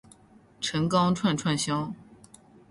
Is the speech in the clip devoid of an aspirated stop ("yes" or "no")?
no